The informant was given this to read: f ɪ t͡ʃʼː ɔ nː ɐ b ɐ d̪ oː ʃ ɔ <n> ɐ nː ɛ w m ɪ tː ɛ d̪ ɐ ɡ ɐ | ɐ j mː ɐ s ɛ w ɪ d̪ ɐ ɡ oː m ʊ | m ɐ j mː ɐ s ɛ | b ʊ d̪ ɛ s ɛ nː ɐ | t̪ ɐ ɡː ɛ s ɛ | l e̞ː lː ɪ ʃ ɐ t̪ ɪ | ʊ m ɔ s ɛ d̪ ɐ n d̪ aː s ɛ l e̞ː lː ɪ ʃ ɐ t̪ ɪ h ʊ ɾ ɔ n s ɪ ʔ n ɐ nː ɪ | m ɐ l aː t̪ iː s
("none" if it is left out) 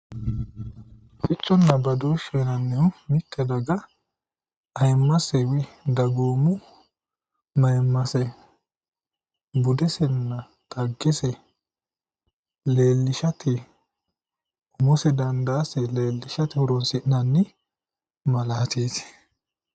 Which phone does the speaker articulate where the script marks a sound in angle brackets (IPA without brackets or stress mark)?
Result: n